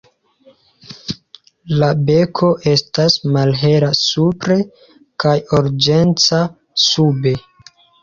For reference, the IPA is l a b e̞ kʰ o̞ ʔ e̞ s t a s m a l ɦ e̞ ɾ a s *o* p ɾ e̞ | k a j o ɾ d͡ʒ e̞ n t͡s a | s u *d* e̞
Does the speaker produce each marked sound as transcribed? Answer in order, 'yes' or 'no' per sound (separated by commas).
no, no